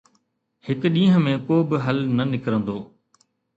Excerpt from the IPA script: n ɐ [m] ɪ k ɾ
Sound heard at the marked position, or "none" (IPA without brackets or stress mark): n